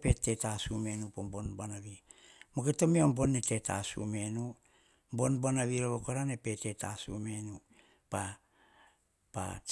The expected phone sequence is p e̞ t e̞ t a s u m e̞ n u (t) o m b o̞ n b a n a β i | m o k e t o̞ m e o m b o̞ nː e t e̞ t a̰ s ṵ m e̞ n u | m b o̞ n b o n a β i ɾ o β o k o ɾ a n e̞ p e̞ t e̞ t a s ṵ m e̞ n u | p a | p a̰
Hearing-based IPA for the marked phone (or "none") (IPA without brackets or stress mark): p